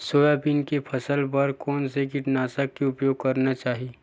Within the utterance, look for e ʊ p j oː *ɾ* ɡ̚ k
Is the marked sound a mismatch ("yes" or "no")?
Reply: yes